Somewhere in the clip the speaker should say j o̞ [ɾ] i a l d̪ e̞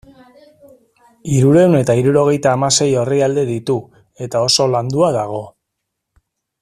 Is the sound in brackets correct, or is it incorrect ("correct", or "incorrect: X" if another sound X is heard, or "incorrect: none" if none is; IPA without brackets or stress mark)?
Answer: incorrect: r